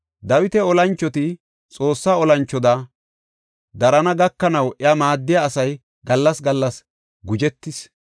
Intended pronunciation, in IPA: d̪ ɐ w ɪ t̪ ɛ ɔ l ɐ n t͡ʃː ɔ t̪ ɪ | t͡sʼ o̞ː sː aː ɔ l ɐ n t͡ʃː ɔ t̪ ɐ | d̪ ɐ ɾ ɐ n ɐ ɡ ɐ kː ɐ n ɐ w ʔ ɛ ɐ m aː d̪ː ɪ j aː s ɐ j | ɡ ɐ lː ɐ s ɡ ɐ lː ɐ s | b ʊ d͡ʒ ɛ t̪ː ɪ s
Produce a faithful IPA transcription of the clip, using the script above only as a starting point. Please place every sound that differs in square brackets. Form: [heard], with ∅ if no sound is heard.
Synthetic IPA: d̪ ɐ w ɪ t̪ ɛ ɔ l ɐ n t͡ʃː ɔ t̪ ɪ | t͡sʼ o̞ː sː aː ɔ l ɐ n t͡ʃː ɔ [d̪] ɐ | d̪ ɐ ɾ ɐ n ɐ ɡ ɐ kː ɐ n ɐ w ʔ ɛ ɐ m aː d̪ː ɪ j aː s ɐ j | ɡ ɐ lː ɐ s ɡ ɐ lː ɐ s | [ɡ] ʊ d͡ʒ ɛ t̪ː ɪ s